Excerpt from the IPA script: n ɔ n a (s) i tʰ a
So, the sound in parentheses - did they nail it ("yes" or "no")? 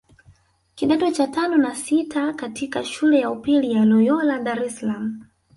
yes